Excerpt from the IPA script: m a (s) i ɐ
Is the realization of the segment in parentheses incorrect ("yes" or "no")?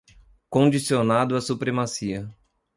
no